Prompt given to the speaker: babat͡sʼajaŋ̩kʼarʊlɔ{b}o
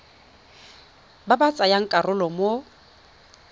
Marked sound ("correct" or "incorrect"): incorrect